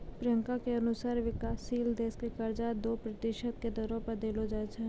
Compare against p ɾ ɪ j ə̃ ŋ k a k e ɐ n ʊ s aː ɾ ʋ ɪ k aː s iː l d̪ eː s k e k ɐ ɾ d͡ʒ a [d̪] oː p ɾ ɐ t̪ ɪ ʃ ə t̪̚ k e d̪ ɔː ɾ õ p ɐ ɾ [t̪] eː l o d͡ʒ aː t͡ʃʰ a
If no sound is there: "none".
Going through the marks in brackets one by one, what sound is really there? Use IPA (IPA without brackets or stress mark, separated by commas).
d̪, d̪